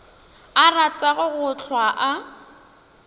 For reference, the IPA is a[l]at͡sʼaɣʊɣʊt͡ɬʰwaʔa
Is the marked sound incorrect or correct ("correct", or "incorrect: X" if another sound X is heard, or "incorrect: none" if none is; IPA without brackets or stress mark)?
incorrect: r